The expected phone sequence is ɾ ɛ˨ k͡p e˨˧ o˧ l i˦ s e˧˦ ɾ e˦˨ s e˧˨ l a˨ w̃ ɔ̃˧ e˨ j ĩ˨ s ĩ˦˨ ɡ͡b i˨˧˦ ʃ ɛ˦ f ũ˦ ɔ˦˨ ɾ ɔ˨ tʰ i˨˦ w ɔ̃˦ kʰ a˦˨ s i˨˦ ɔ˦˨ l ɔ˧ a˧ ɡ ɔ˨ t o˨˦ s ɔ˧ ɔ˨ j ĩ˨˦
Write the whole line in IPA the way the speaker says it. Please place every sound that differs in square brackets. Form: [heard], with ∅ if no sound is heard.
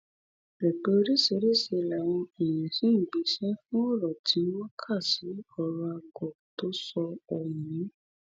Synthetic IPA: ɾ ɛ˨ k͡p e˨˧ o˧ [ɾ] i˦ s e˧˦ ɾ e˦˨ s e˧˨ l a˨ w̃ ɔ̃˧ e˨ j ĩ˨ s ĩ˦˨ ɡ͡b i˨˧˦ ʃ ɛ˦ f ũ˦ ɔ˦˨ ɾ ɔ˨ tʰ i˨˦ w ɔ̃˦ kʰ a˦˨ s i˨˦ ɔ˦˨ [ɾ] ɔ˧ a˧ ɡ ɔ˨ t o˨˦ s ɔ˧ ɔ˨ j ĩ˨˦